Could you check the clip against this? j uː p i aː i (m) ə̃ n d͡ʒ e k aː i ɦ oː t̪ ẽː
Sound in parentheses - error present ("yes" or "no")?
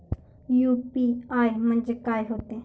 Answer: no